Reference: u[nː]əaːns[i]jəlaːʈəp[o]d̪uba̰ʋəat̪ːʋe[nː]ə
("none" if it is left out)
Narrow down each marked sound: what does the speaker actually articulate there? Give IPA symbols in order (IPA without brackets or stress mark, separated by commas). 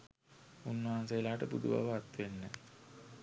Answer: nː, e, u, nː